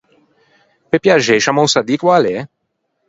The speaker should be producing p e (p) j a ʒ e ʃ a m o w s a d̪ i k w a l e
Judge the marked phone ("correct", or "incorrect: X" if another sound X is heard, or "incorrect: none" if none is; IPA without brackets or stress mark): correct